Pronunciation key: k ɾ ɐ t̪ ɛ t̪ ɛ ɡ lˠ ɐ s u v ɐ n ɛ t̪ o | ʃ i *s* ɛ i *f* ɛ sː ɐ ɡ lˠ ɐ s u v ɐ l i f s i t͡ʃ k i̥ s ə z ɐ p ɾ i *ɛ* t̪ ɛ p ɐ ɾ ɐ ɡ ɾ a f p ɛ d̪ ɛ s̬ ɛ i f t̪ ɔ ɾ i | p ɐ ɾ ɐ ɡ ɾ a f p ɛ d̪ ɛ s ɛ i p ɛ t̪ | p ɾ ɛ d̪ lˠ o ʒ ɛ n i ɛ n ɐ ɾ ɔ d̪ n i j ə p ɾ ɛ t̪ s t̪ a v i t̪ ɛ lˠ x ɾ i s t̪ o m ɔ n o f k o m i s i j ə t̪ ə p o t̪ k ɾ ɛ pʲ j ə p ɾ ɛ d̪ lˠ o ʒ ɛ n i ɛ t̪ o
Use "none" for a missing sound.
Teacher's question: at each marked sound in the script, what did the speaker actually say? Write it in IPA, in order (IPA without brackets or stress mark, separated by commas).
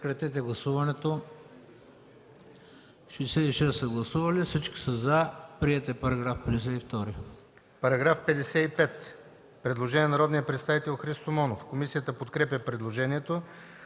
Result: s, ʃ, ɛ